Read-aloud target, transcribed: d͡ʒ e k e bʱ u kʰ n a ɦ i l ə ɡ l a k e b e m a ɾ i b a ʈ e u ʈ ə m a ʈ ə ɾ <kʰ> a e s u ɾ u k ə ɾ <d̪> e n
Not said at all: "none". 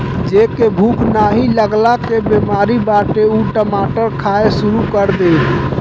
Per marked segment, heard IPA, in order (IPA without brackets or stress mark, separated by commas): kʰ, d̪